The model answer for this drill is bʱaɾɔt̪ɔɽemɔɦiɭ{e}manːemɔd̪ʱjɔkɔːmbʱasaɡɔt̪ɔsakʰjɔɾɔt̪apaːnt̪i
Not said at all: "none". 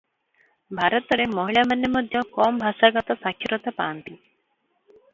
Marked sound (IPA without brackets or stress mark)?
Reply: a